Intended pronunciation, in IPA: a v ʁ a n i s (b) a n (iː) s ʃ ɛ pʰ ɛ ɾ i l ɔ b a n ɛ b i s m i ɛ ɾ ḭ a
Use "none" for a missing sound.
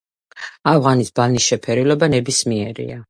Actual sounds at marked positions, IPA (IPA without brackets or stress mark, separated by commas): b, i